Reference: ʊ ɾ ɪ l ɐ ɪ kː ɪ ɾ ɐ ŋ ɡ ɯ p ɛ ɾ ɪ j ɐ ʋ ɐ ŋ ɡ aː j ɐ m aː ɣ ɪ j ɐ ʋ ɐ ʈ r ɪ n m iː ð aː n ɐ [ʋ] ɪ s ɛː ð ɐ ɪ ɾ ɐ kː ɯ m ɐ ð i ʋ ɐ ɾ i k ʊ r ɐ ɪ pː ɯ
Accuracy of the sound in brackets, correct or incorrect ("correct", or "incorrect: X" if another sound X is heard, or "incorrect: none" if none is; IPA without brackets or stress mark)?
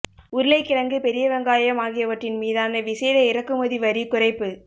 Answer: correct